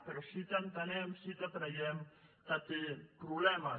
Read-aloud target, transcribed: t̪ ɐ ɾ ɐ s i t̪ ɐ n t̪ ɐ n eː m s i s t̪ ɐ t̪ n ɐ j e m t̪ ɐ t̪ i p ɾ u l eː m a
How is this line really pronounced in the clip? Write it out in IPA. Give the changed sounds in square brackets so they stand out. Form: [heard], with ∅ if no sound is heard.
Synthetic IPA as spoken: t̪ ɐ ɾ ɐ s i t̪ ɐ n t̪ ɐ n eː m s i [∅] t̪ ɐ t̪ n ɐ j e m t̪ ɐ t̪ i p ɾ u l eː m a